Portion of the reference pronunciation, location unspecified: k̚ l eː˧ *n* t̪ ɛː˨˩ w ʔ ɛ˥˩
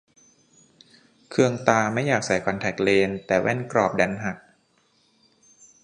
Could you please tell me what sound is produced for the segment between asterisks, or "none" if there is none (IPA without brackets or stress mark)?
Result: n